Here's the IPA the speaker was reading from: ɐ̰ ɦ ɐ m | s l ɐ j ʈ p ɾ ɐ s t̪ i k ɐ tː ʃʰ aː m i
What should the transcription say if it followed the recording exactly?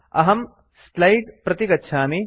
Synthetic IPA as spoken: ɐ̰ ɦ ɐ m | s l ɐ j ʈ p ɾ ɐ t̪ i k ɐ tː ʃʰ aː m i

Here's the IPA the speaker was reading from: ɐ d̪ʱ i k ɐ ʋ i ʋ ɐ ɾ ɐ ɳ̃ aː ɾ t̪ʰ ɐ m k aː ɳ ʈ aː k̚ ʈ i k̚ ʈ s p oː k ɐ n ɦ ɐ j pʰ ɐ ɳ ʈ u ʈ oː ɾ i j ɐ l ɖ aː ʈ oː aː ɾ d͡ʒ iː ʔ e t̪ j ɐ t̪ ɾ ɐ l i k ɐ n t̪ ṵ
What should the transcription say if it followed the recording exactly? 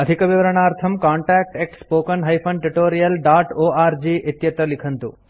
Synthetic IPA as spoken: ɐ d̪ʱ i k ɐ ʋ i ʋ ɐ ɾ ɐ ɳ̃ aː ɾ t̪ʰ ɐ m k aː ɳ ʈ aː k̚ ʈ e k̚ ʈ s p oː k ɐ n ɦ ɐ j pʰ ɐ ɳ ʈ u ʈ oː ɾ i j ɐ l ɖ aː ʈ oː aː ɾ d͡ʒ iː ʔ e t̪ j ɐ t̪ ɾ ɐ l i kʰ ɐ n t̪ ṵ

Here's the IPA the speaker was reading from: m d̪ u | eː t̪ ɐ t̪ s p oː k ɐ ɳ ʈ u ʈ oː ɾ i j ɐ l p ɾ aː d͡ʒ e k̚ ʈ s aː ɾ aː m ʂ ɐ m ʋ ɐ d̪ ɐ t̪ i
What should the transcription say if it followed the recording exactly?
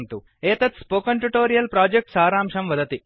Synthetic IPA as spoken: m t̪ u | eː t̪ ɐ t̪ s p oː k ɐ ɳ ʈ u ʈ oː ɾ i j ɐ l p ɾ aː d͡ʒ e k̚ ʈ s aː ɾ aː m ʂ ɐ m ʋ ɐ d̪ ɐ t̪ i

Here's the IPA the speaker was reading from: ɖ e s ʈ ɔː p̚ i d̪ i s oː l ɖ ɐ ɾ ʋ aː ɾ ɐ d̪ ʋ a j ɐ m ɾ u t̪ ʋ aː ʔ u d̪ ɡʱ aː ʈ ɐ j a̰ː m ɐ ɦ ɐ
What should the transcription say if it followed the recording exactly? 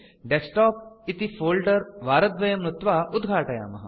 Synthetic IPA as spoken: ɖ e s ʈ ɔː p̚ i t̪ i f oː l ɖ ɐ ɾ ʋ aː ɾ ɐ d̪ ʋ ɐ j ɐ m ɾ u t̪ ʋ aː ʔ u d̪ ɡʱ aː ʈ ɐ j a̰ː m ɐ ɦ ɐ

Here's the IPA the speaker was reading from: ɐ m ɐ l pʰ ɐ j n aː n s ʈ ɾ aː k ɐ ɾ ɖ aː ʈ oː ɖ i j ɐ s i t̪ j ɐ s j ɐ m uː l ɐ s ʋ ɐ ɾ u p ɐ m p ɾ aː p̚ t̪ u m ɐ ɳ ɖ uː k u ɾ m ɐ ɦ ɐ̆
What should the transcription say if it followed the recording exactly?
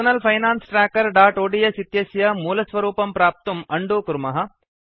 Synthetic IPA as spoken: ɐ n ɐ l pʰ ɐ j n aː n s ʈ ɾ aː k ɐ ɾ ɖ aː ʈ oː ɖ i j ɐ s i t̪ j ɐ s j ɐ m uː l ɐ s ʋ ɐ ɾ uː p ɐ m p ɾ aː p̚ t̪ u m ɐ ɳ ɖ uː k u ɾ m ɐ ɦ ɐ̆

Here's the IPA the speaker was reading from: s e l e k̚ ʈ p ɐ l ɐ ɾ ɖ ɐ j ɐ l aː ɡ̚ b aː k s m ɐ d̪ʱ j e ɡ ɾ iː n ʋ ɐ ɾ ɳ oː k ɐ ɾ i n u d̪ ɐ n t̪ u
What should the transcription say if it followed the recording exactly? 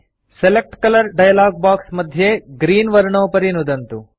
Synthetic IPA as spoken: s e l e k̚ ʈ k ɐ l ɐ ɾ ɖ ɐ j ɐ l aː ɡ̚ b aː k s m ɐ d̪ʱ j e ɡ ɾ iː n ʋ ɐ ɾ ɳ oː p ɐ ɾ i n u d̪ ɐ n t̪ u

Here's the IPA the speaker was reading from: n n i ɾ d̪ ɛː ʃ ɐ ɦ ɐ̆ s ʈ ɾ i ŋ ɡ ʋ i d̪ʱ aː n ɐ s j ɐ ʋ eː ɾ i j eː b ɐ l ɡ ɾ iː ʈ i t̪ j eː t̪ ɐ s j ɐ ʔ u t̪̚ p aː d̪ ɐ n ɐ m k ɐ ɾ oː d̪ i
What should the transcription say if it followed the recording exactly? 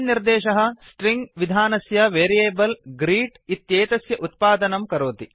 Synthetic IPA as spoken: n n i ɾ d̪ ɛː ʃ ɐ ɦ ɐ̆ s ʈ ɾ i ŋ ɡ ʋ i d̪ʱ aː n ɐ s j ɐ ʋ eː ɾ i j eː b ɐ l ɡ ɾ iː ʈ i t̪ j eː t̪ ɐ s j ɐ ʔ u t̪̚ p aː d̪ ɐ n ɐ m k ɐ ɾ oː t̪ i

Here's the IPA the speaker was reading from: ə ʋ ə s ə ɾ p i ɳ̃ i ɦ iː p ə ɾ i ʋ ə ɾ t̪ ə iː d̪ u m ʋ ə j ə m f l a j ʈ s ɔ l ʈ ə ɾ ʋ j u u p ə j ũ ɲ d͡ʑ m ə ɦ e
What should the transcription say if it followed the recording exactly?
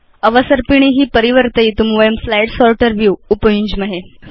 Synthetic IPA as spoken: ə ʋ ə s ə ɾ p i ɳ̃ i ɦ iː p ə ɾ i ʋ ə ɾ t̪ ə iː t̪ u m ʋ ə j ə m f l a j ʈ s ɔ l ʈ ə ɾ ʋ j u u p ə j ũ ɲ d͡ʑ m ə ɦ e

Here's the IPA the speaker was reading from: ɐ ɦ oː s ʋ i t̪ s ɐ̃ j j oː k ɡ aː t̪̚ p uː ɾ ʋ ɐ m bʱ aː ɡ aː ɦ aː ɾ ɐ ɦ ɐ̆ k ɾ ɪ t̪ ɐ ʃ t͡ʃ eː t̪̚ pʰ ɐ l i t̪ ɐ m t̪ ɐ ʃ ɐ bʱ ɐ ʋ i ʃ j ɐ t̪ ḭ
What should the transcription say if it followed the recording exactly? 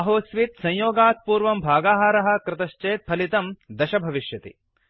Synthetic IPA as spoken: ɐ ɦ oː s ʋ i t̪ s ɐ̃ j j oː ɡ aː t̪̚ p uː ɾ ʋ ɐ m bʱ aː ɡ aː ɦ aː ɾ ɐ ɦ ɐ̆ k ɾ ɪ t̪ ɐ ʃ t͡ʃ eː t̪̚ pʰ ɐ l i t̪ ɐ m d̪ ɐ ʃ ɐ bʱ ɐ ʋ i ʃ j ɐ t̪ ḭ

